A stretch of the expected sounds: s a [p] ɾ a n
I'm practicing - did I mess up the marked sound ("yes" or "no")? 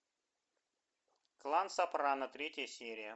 no